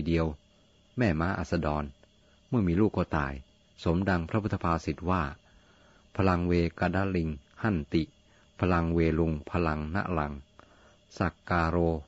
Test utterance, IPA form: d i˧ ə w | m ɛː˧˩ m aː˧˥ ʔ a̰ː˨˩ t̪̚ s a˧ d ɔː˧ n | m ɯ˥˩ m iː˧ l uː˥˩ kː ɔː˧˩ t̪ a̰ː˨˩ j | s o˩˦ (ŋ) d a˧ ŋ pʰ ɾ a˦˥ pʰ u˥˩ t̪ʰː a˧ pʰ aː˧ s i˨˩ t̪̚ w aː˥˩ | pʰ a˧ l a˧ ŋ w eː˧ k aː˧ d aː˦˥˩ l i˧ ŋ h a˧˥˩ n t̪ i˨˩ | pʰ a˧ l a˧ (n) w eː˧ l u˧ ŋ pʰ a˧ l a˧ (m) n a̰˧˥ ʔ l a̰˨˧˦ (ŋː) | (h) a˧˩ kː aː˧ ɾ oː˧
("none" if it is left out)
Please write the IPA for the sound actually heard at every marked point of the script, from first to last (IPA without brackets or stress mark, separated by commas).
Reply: m, ŋ, ŋ, ŋ, s